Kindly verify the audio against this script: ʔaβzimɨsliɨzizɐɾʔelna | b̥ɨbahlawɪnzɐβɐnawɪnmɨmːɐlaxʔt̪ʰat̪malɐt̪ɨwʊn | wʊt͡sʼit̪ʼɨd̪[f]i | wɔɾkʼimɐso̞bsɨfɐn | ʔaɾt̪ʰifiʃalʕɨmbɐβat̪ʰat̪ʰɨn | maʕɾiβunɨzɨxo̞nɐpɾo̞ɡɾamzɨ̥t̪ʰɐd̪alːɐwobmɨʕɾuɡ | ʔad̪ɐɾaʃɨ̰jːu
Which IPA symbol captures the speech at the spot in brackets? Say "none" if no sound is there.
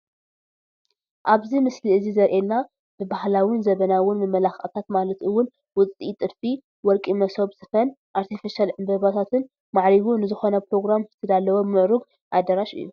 f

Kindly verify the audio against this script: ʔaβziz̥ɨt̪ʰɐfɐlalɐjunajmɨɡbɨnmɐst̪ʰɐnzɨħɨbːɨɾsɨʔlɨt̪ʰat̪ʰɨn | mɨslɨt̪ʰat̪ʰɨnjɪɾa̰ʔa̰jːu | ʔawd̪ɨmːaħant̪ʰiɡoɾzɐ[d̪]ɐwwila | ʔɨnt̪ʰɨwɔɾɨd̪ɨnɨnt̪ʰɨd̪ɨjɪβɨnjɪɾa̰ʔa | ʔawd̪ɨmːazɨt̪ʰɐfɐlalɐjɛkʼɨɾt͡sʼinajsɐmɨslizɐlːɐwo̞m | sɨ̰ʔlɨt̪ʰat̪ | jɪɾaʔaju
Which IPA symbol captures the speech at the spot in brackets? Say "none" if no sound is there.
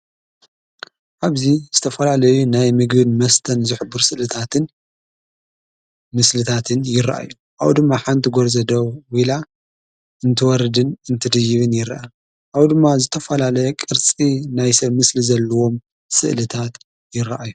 d̪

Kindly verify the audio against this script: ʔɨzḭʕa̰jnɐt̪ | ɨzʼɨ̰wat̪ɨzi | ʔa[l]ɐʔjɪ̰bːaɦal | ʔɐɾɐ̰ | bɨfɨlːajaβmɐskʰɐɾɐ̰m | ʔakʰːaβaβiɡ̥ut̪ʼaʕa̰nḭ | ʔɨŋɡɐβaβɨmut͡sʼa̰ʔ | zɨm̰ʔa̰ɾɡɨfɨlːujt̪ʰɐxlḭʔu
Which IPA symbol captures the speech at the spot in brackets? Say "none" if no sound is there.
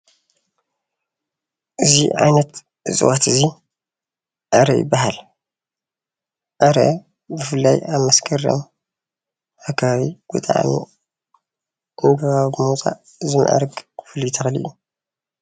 ɾ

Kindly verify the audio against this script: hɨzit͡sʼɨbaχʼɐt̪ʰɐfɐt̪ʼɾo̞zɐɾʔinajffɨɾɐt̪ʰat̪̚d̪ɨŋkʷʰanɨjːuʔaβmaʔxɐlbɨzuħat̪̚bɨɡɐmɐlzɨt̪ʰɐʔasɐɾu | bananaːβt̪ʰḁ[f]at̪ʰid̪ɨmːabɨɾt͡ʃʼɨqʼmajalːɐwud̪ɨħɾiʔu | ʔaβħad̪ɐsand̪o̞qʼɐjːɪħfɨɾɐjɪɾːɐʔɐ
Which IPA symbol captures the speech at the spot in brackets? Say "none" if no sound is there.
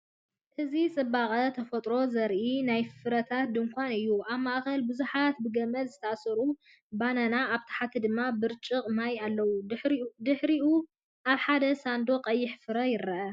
ħ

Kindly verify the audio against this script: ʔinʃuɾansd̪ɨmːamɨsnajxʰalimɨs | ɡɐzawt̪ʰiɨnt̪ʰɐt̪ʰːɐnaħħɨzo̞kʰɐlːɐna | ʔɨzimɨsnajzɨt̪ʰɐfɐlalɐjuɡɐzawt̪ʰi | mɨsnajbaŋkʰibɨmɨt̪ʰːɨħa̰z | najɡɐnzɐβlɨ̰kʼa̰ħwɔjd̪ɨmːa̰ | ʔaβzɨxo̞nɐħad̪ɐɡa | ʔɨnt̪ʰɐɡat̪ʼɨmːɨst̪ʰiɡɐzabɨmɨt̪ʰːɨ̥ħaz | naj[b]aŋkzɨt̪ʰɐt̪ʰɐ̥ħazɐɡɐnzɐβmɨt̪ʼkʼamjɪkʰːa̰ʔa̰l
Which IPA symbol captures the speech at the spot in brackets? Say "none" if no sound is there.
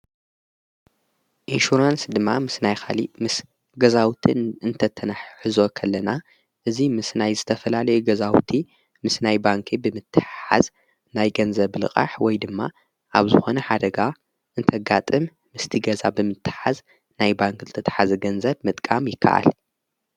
b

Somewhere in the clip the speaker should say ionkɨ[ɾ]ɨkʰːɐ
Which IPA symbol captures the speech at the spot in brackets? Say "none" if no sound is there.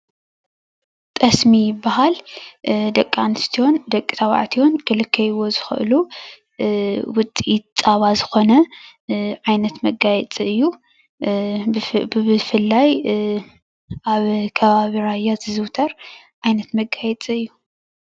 l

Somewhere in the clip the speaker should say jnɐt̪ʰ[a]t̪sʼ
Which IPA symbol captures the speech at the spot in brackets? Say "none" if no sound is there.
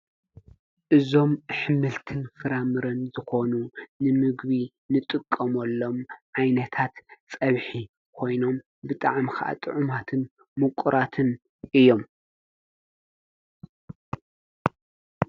a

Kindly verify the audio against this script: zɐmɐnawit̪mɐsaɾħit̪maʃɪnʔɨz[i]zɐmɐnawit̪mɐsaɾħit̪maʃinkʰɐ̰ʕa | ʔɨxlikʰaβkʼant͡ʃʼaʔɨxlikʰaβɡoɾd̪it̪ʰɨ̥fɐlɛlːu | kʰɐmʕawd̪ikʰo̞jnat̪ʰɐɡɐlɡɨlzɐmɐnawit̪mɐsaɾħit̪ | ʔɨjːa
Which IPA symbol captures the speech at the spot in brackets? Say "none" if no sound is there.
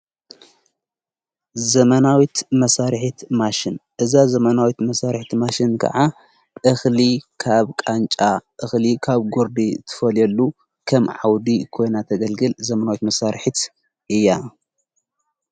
a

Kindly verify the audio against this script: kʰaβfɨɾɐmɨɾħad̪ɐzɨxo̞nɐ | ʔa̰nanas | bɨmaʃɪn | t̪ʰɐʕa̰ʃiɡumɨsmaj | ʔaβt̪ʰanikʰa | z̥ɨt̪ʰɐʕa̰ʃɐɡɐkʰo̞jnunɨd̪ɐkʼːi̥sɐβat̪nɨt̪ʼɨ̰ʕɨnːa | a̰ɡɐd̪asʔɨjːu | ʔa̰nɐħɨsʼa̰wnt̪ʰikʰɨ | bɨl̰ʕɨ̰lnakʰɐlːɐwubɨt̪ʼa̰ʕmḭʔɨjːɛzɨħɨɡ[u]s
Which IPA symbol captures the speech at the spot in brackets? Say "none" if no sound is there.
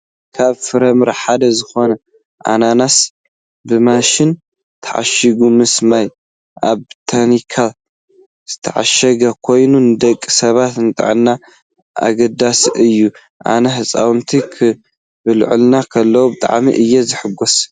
o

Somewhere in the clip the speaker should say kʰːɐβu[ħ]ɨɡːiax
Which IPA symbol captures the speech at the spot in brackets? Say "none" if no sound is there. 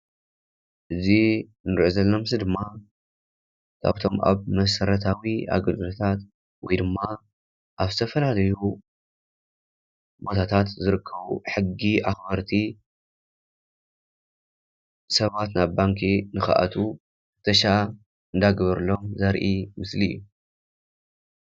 ħ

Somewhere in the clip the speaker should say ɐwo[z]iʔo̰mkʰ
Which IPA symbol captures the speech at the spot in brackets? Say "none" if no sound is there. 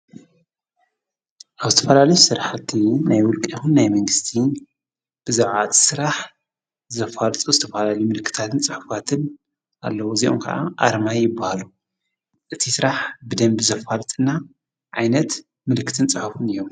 z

